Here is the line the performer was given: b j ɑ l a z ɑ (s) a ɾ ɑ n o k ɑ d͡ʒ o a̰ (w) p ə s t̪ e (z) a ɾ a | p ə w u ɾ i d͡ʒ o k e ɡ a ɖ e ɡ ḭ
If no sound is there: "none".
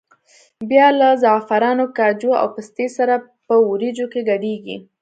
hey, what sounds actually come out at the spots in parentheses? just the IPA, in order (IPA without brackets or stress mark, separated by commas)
f, w, s